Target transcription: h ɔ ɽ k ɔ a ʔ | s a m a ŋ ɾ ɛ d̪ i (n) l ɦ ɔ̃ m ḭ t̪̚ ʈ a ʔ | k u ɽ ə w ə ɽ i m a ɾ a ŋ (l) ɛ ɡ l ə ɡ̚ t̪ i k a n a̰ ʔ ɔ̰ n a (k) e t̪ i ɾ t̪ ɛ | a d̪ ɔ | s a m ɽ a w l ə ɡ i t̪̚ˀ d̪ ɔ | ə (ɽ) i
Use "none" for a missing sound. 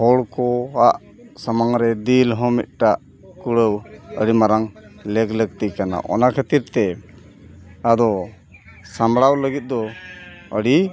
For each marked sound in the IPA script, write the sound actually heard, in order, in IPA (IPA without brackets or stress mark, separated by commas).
none, l, kʰ, ɽ